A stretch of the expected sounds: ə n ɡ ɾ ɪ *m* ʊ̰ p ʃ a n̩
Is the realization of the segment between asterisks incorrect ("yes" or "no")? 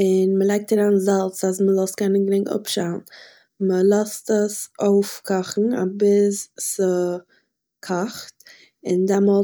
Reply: yes